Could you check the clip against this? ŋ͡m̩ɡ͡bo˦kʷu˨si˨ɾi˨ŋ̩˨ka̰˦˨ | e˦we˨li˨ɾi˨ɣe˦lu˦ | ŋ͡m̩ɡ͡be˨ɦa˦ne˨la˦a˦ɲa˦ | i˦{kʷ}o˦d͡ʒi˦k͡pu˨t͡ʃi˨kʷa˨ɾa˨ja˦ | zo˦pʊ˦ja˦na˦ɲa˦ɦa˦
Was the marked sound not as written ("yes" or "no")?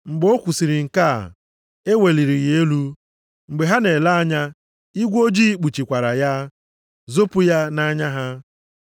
yes